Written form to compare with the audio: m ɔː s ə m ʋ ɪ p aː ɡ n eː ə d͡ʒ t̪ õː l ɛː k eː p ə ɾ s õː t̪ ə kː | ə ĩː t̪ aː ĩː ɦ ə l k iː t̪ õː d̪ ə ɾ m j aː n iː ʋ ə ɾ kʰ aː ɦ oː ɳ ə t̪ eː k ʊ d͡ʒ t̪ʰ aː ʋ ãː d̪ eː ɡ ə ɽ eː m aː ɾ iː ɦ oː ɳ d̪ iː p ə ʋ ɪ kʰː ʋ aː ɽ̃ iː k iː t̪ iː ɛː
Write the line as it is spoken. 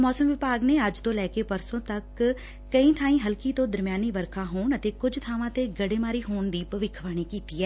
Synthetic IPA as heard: m ɔː s ə m ʋ ɪ p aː ɡ n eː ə d͡ʒ t̪ õː l ɛː k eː p ə ɾ s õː t̪ ə kː | ə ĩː t̪ʰ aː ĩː ɦ ə l k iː t̪ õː d̪ ə ɾ m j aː n iː ʋ ə ɾ kʰ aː ɦ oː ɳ ə t̪ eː k ʊ d͡ʒ t̪ʰ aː ʋ ãː t̪ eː ɡ ə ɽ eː m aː ɾ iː ɦ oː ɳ d̪ iː p ə ʋ ɪ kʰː ʋ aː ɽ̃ iː k iː t̪ iː ɛː

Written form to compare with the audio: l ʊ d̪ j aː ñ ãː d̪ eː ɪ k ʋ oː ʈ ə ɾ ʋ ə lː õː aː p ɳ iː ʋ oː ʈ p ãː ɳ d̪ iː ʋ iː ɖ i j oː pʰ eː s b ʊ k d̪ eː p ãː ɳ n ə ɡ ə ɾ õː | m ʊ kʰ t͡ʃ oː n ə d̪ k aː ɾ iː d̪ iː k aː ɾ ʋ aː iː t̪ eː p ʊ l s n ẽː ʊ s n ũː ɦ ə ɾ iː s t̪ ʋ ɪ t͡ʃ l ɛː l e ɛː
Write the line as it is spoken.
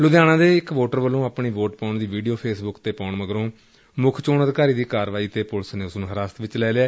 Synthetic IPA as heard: l ʊ d̪ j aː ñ ãː d̪ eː ɪ k ʋ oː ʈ ə ɾ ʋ ə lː õː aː p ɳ iː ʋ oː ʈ p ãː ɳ d̪ iː ʋ iː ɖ i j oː pʰ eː s b ʊ k t̪ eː p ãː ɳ m ə ɡ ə ɾ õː | m ʊ kʰ t͡ʃ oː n ə d̪ k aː ɾ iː d̪ iː k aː ɾ ʋ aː iː t̪ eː p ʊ l s n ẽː ʊ s n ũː ɦ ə ɾ aː s t̪ ʋ ɪ t͡ʃ l ɛː l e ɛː

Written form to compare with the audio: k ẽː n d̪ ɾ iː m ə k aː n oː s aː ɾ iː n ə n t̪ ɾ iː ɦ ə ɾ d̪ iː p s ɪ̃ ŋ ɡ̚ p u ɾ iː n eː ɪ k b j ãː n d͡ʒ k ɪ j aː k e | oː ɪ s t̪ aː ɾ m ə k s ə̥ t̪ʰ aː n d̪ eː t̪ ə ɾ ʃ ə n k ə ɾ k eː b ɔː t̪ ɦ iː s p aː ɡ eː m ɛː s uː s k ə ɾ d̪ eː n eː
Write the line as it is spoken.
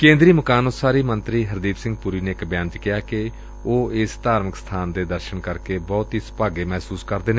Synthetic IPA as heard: k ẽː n d̪ ɾ iː m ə k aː n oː s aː ɾ iː m ə n t̪ ɾ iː ɦ ə ɾ d̪ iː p s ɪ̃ ŋ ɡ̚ p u ɾ iː n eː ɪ k b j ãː n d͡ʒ k ɪ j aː k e | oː ɪ s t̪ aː ɾ m ə k s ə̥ t̪ʰ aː n d̪ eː d̪ ə ɾ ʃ ə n k ə ɾ k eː b ɔː t̪ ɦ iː s p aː ɡ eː m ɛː s uː s k ə ɾ d̪ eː n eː

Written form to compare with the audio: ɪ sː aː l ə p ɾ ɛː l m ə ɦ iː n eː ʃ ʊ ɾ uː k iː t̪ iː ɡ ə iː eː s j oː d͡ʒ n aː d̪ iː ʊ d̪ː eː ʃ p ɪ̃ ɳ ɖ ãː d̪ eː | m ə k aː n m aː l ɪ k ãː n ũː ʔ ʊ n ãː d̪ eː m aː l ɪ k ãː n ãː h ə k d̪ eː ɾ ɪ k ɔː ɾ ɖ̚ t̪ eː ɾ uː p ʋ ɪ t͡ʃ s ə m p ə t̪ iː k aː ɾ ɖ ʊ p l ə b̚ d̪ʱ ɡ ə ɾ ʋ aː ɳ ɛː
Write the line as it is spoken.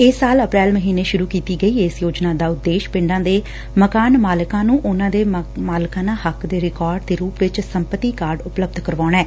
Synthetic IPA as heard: ɪ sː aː l ə p ɾ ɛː l m ə ɦ iː n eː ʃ ʊ ɾ uː k iː t̪ iː ɡ ə iː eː s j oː d͡ʒ n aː d̪ aː ʊ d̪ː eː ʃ p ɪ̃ ɳ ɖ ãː d̪ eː | m ə k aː n m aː l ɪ k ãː n ũː ʔ ʊ n ãː d̪ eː m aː l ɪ k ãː n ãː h ə k d̪ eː ɾ ɪ k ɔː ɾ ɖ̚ t̪ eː ɾ uː p ʋ ɪ t͡ʃ s ə m p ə t̪ iː k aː ɾ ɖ ʊ p l ə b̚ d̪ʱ k ə ɾ ʋ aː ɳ ɛː

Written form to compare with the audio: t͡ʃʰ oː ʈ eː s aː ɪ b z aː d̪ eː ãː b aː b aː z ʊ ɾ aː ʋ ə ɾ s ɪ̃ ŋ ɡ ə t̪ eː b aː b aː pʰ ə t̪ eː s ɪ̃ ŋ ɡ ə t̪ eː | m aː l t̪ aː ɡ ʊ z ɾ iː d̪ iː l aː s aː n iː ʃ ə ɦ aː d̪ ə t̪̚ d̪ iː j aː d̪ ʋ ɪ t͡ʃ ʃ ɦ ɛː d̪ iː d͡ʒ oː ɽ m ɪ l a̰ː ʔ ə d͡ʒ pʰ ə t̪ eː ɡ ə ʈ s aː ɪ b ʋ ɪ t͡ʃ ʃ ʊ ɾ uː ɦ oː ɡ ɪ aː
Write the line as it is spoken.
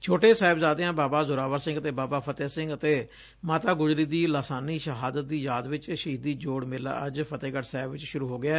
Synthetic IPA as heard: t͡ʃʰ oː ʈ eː s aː ɪ b z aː d̪ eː ãː b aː b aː z ʊ ɾ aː ʋ ə ɾ s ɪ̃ ŋ ɡ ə t̪ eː b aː b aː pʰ ə t̪ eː s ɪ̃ ŋ ɡ ə t̪ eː | m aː t̪ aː ɡ ʊ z ɾ iː d̪ iː l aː s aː n iː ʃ ə ɦ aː d̪ ə t̪̚ d̪ iː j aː d̪ ʋ ɪ t͡ʃ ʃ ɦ iː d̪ iː d͡ʒ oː ɽ m ɪ l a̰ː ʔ ə d͡ʒ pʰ ə t̪ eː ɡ ə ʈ s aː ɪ b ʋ ɪ t͡ʃ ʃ ʊ ɾ uː ɦ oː ɡ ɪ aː

